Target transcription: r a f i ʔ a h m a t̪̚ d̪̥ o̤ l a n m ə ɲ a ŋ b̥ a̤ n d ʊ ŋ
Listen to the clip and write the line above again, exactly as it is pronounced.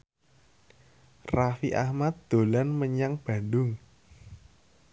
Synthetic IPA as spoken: r a f i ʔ a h m a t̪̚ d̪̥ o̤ l a n m ə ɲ a ŋ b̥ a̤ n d ʊ ŋ